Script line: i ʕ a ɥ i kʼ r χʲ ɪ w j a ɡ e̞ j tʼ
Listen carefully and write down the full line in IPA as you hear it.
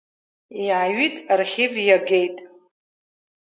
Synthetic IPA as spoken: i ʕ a ɥ i tʼ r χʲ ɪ v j a ɡ e̞ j tʼ